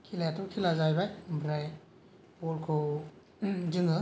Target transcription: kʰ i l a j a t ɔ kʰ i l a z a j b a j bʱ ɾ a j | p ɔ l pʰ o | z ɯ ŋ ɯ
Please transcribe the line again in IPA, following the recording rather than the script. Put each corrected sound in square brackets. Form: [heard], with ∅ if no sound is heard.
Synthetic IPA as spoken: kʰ i l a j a t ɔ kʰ i l a z a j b a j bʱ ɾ a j | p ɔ l [kʰ] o | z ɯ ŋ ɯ